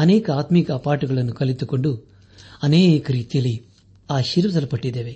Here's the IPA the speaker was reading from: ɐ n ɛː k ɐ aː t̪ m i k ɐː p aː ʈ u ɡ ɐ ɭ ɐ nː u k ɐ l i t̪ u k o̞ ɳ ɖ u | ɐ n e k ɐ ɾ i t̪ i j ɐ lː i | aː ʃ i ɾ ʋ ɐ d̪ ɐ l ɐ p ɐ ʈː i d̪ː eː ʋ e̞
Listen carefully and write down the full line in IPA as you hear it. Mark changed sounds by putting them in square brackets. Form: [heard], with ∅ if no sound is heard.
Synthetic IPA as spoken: ɐ n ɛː k ɐ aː t̪ m i k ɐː p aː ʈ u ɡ ɐ ɭ ɐ nː u k ɐ l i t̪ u k o̞ ɳ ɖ u | ɐ n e k ɐ ɾ [iː] t̪ i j ɐ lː i | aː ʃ i ɾ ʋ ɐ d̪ ɐ l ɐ p ɐ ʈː i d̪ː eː ʋ e̞